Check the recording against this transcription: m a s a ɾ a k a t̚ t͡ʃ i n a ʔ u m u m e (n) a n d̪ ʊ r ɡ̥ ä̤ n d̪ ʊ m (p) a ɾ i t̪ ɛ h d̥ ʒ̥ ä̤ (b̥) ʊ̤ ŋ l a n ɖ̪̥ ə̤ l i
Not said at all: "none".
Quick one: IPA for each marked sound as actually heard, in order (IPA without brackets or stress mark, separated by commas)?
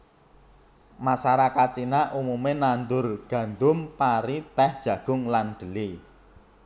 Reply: n, p, ɡ̥